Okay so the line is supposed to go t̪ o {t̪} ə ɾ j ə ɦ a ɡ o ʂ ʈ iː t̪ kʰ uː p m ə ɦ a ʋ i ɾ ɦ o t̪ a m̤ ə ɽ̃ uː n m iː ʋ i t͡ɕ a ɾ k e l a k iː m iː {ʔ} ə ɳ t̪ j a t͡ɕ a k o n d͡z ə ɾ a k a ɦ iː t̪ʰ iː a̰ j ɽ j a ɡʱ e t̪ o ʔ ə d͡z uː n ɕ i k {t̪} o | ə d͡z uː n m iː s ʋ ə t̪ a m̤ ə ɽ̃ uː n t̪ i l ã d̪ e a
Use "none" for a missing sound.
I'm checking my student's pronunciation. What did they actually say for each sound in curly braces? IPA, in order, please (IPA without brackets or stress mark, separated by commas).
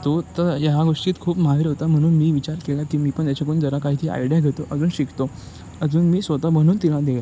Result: t̪, p, t̪